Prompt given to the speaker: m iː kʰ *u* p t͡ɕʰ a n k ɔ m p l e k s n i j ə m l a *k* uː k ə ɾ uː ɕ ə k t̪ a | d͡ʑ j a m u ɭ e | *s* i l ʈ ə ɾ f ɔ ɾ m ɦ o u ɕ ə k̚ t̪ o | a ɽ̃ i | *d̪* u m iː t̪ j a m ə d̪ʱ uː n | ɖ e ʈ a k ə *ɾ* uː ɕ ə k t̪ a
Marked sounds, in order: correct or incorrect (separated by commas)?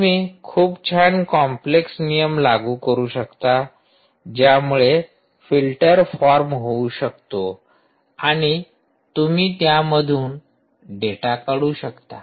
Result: incorrect, incorrect, incorrect, incorrect, incorrect